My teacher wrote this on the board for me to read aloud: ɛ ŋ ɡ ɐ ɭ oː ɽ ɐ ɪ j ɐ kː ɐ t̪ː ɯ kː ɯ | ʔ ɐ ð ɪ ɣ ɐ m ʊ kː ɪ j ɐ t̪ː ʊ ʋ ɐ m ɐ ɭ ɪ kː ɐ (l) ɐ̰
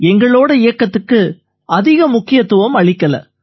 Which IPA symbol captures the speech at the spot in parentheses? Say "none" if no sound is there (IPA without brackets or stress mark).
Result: l